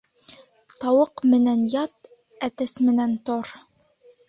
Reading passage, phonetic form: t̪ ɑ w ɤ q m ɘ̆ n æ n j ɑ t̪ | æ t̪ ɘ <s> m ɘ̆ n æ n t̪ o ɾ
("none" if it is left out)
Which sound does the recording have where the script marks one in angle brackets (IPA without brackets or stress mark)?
s